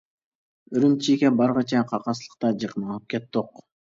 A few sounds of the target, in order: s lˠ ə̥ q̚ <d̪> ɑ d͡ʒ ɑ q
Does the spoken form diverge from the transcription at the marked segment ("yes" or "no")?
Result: yes